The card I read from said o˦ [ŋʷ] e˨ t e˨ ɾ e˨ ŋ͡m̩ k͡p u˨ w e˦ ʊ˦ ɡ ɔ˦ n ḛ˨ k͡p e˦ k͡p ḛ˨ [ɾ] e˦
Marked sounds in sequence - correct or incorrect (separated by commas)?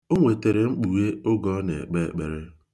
correct, correct